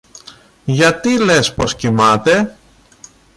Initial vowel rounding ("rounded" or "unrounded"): unrounded